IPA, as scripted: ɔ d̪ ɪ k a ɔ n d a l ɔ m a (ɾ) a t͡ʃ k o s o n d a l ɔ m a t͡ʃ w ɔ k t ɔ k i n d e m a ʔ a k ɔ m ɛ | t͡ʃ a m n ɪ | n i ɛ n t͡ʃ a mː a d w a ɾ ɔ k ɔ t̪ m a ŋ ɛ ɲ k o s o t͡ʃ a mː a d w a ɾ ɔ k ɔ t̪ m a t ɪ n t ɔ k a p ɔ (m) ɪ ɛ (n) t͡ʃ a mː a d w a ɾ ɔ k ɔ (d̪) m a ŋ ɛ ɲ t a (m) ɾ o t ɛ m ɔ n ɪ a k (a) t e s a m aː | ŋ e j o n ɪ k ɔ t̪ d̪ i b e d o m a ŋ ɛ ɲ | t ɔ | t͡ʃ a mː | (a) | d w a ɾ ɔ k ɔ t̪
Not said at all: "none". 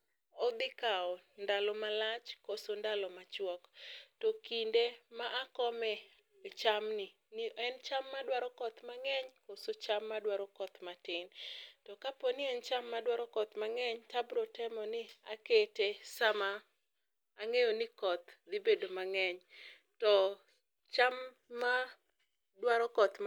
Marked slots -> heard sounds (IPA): l, n, n, t̪, b, e, a

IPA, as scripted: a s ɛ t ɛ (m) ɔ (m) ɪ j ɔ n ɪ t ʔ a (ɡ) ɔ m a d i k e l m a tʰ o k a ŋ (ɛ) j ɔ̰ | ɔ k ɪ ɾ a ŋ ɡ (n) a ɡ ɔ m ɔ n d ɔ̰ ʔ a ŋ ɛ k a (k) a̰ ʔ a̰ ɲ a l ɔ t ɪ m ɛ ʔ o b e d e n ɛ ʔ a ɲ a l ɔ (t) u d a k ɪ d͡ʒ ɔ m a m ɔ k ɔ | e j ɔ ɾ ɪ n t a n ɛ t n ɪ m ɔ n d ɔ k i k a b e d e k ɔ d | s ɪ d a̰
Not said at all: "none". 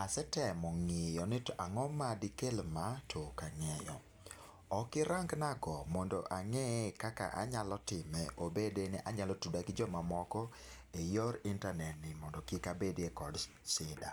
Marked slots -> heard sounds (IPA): m, ŋ, ŋ, ɛ, n, k, t

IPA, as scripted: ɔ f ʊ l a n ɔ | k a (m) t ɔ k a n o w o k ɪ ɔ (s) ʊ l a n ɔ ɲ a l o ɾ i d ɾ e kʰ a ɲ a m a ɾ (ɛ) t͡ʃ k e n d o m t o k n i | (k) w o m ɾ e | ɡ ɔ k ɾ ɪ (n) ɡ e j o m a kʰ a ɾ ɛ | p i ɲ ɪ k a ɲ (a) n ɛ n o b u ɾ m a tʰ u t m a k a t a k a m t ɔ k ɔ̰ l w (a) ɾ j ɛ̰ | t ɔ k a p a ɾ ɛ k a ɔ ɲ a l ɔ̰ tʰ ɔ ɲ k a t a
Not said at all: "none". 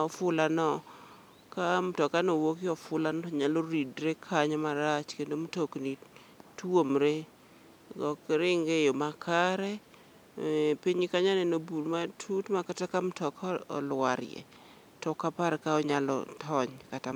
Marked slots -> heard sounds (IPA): m, f, a, t, ŋ, a, a

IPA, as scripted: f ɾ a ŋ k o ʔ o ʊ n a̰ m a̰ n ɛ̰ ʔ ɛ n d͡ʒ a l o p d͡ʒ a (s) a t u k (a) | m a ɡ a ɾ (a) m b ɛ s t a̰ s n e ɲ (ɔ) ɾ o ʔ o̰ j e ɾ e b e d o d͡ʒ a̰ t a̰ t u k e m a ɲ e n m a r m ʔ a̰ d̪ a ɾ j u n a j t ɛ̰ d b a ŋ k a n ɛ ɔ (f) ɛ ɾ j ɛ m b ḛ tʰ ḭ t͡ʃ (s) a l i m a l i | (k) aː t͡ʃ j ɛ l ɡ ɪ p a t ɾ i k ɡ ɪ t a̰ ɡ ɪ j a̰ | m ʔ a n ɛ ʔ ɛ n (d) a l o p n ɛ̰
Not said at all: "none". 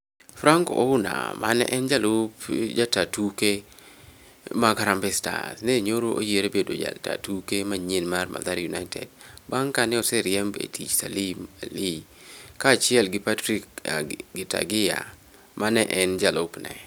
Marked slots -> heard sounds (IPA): t, e, a, o, s, s, k, d͡ʒ

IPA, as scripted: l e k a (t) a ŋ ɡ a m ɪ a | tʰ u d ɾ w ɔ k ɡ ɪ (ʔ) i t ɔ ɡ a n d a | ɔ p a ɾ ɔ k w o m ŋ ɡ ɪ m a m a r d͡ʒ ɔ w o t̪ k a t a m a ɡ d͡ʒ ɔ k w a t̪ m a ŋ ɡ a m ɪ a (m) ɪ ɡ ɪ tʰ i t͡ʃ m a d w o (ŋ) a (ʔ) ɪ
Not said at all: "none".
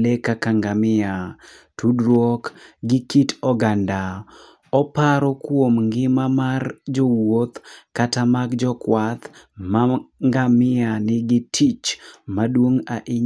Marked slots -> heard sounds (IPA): k, k, n, ŋ, ʔ

